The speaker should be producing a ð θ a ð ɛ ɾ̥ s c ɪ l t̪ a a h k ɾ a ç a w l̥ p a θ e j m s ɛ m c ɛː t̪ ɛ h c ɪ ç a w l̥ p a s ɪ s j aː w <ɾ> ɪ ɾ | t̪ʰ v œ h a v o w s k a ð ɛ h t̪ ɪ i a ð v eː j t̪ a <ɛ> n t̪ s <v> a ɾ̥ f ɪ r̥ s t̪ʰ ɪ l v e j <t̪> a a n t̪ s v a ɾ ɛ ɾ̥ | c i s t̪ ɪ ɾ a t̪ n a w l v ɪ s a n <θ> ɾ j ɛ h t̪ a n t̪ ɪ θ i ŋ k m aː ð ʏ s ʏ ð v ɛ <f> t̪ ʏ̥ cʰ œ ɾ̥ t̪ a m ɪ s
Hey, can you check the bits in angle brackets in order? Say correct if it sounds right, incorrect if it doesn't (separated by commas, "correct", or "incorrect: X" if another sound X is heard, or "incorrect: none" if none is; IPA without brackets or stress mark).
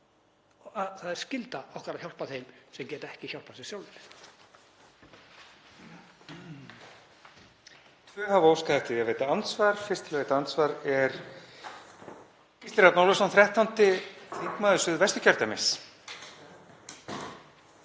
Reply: incorrect: l, incorrect: a, correct, correct, correct, incorrect: s